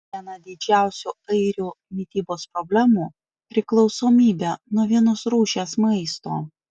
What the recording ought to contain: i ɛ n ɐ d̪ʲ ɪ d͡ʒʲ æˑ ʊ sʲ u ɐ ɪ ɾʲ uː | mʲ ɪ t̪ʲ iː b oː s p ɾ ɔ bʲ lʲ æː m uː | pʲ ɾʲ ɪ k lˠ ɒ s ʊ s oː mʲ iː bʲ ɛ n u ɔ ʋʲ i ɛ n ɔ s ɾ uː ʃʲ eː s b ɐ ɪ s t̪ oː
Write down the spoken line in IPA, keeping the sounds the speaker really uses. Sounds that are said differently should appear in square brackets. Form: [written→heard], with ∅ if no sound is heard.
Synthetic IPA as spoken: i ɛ n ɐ d̪ʲ ɪ d͡ʒʲ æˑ ʊ sʲ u ɐ ɪ ɾʲ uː | mʲ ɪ t̪ʲ iː b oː s p ɾ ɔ bʲ lʲ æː m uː | pʲ ɾʲ ɪ k lˠ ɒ [s→∅] ʊ s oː mʲ iː bʲ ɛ n u ɔ ʋʲ i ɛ n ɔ s ɾ uː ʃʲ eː s [b→m] ɐ ɪ s t̪ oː

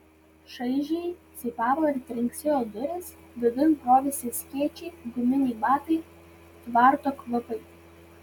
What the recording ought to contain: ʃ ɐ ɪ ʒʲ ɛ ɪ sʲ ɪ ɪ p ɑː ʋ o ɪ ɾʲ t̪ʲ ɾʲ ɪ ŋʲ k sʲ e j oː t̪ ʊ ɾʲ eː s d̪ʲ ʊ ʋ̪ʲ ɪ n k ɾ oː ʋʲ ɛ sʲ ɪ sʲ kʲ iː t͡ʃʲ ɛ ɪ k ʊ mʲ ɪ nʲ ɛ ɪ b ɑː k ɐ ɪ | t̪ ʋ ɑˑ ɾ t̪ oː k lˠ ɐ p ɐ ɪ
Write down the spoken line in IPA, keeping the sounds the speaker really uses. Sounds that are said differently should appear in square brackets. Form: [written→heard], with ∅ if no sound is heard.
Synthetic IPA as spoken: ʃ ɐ ɪ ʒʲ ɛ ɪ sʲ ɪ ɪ p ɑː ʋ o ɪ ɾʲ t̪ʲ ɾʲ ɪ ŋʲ k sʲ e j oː [t̪→d̪] ʊ ɾʲ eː s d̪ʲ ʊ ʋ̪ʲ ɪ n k ɾ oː ʋʲ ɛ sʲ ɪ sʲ kʲ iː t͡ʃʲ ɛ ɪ [k→ɡ] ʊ mʲ ɪ nʲ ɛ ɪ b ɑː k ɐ ɪ | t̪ ʋ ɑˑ ɾ t̪ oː k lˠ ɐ p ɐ ɪ

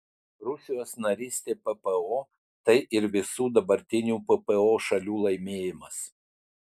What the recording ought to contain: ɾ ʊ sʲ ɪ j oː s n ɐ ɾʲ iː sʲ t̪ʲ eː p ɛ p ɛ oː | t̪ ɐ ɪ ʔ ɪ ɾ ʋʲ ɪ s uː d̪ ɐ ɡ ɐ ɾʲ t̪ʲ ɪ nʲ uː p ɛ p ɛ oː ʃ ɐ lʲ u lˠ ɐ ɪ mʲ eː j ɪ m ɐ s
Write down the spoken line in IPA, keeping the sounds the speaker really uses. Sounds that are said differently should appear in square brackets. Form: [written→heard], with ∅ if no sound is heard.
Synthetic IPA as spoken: ɾ ʊ sʲ ɪ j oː s n ɐ ɾʲ iː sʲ t̪ʲ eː p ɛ p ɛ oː | t̪ ɐ ɪ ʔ ɪ ɾ ʋʲ ɪ s uː d̪ ɐ [ɡ→b] ɐ ɾʲ t̪ʲ ɪ nʲ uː p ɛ p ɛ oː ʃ ɐ lʲ [u→uː] lˠ ɐ ɪ mʲ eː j ɪ m ɐ s

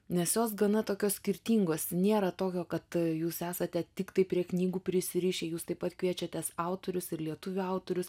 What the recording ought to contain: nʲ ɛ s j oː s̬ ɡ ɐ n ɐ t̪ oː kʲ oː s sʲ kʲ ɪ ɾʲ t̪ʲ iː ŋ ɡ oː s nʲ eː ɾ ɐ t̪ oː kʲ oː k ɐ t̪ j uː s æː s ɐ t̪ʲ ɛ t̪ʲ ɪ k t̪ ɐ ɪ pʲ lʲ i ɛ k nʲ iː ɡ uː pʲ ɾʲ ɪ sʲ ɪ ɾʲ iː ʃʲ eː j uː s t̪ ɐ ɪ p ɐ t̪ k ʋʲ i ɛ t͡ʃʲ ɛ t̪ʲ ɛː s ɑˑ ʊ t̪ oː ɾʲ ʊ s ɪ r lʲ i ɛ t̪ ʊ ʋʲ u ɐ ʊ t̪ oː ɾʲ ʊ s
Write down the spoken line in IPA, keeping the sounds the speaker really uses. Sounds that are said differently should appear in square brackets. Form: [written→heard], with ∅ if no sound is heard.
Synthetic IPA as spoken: nʲ ɛ s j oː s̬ ɡ ɐ n ɐ t̪ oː kʲ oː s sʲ kʲ ɪ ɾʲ t̪ʲ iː ŋ ɡ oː s nʲ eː ɾ ɐ t̪ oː kʲ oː k ɐ t̪ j uː s æː s ɐ t̪ʲ ɛ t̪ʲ ɪ k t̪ ɐ ɪ pʲ [lʲ→ɾʲ] i ɛ k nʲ iː ɡ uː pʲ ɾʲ ɪ sʲ ɪ ɾʲ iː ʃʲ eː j uː s t̪ ɐ ɪ p ɐ t̪ k ʋʲ i ɛ t͡ʃʲ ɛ t̪ʲ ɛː s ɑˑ ʊ t̪ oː ɾʲ ʊ s ɪ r lʲ i ɛ t̪ ʊ ʋʲ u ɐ ʊ t̪ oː ɾʲ ʊ s

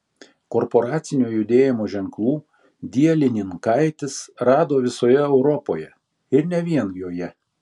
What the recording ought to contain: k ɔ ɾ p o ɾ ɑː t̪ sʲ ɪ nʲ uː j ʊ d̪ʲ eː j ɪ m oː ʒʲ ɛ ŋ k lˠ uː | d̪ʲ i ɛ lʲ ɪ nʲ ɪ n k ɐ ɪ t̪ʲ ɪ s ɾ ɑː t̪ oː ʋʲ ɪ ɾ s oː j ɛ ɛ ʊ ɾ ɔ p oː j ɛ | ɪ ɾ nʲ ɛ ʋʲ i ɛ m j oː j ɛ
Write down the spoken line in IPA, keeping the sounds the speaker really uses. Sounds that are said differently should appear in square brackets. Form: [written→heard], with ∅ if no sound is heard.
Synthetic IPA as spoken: k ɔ ɾ p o ɾ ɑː t̪ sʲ ɪ nʲ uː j ʊ d̪ʲ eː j ɪ m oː ʒʲ ɛ ŋ k lˠ uː | d̪ʲ i ɛ lʲ ɪ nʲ ɪ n k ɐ ɪ t̪ʲ ɪ s ɾ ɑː [t̪→d̪] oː ʋʲ ɪ [ɾ→∅] s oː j ɛ ɛ ʊ ɾ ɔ p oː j ɛ | ɪ ɾ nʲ ɛ ʋʲ i ɛ [m→n] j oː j ɛ

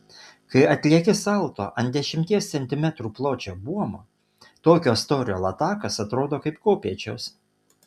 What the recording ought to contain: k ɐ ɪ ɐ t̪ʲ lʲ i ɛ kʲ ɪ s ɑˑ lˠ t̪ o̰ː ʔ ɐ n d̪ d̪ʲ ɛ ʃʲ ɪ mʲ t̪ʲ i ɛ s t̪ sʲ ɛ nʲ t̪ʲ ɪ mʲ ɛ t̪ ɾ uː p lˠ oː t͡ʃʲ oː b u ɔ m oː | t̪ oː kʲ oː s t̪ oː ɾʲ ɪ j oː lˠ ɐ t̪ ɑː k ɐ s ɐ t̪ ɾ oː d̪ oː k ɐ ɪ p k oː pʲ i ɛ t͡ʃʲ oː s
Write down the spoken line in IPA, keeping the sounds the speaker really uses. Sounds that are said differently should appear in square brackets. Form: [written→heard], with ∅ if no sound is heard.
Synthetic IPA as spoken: k ɐ ɪ ɐ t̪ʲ lʲ i ɛ kʲ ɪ s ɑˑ lˠ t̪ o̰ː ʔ ɐ n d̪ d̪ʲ ɛ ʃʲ ɪ mʲ t̪ʲ i ɛ s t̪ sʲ ɛ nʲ t̪ʲ ɪ mʲ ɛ t̪ ɾ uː p lˠ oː t͡ʃʲ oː b u ɔ m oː | t̪ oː kʲ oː s t̪ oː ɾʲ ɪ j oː lˠ ɐ t̪ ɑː k ɐ s ɐ t̪ ɾ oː d̪ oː k ɐ ɪ p k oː pʲ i ɛ t͡ʃʲ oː s

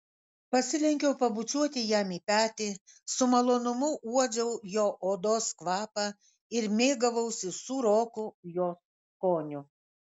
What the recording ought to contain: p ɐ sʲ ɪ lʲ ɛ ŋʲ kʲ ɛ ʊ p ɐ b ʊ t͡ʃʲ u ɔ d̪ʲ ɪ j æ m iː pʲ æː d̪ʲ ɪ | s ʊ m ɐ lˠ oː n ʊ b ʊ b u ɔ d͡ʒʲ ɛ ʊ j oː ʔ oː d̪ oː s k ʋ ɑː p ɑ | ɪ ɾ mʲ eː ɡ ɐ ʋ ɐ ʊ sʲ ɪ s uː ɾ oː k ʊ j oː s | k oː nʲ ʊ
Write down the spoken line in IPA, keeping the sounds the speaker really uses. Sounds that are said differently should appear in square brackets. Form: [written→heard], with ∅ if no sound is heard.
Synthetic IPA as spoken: p ɐ sʲ ɪ lʲ ɛ ŋʲ kʲ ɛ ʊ p ɐ b ʊ t͡ʃʲ u ɔ [d̪ʲ→t̪ʲ] ɪ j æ m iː pʲ æː [d̪ʲ→t̪ʲ] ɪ | s ʊ m ɐ lˠ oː n ʊ [b→m] ʊ [b→∅] u ɔ d͡ʒʲ ɛ ʊ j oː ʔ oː d̪ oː s k ʋ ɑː p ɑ | ɪ ɾ mʲ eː ɡ ɐ ʋ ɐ ʊ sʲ ɪ s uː ɾ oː k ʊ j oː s | k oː nʲ ʊ

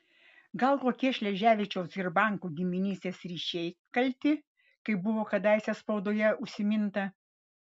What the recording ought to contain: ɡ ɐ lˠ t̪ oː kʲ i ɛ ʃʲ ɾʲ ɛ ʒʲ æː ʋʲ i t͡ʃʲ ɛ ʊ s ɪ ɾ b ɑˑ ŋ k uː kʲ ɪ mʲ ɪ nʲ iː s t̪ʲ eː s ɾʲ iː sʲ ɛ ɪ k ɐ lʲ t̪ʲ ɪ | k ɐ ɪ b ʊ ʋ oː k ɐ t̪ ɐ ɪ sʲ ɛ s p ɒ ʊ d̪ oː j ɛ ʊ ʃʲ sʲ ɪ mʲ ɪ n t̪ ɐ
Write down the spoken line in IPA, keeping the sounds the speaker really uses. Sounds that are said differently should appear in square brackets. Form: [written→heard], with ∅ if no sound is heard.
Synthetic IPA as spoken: ɡ ɐ lˠ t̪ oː kʲ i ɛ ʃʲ [ɾʲ→lʲ] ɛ ʒʲ æː ʋʲ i t͡ʃʲ ɛ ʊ s ɪ ɾ b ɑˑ ŋ k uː [kʲ→ɡʲ] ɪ mʲ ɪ nʲ iː s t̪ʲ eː s ɾʲ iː [sʲ→ʃʲ] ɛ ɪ k ɐ lʲ t̪ʲ ɪ | k ɐ ɪ b ʊ ʋ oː k ɐ [t̪→d̪] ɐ ɪ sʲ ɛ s p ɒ ʊ d̪ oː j ɛ ʊ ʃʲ sʲ ɪ mʲ ɪ n t̪ ɐ

